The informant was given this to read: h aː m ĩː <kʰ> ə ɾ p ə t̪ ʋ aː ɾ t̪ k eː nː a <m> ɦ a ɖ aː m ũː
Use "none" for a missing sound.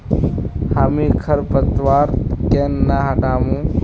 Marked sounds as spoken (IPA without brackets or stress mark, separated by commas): kʰ, none